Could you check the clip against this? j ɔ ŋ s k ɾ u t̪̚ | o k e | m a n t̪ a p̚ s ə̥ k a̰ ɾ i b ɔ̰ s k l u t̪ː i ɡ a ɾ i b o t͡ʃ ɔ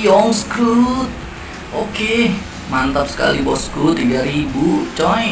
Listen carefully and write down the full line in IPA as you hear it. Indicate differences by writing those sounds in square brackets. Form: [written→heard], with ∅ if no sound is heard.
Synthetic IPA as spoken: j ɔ ŋ s k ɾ u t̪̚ | o k e | m a n t̪ a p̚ s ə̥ k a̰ [ɾ→l] i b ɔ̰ s k [l→ɾ] u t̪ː i ɡ a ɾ i b [o→u] t͡ʃ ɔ